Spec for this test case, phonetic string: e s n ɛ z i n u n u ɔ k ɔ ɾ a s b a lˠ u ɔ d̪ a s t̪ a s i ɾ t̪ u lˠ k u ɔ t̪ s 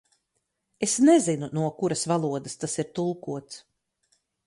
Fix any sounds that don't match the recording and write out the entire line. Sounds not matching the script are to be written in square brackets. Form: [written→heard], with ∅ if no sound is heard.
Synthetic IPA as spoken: e s n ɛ z i n u n u ɔ k [ɔ→u] ɾ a s [b→v] a lˠ u ɔ d̪ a s t̪ a s i ɾ t̪ u lˠ k u ɔ t̪ s